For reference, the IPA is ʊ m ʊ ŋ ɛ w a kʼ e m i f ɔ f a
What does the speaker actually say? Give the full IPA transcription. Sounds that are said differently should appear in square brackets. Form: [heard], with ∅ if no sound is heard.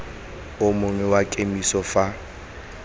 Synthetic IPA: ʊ m ʊ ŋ ɛ w a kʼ e m i [s] ɔ f a